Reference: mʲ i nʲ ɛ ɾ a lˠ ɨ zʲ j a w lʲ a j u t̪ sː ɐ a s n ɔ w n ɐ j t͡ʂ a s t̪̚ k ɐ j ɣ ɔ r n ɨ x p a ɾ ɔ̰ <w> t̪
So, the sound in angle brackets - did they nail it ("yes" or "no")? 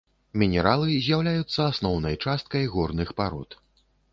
no